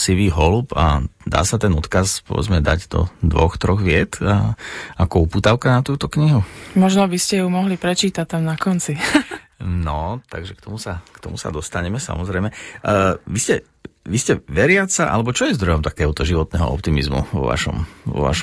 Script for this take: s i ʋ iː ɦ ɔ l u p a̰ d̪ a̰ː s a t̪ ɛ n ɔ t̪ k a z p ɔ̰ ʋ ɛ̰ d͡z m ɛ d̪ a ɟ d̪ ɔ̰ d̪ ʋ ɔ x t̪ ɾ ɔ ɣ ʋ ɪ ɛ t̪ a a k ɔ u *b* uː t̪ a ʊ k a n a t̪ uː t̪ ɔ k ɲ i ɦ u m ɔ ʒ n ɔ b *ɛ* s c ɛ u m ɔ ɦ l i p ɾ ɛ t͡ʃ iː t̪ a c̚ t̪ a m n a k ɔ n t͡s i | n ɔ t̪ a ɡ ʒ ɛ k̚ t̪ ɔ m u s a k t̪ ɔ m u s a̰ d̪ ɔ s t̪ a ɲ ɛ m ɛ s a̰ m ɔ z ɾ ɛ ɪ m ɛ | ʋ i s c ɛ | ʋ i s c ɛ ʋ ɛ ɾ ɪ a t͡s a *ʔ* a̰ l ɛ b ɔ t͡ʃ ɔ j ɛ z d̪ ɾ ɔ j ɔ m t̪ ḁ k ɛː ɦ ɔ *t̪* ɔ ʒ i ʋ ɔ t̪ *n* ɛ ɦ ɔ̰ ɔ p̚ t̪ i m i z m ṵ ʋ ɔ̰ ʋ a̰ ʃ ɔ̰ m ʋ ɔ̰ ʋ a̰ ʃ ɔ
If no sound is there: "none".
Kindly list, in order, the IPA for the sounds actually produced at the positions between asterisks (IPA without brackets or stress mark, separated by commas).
p, i, ʔ, t̪, n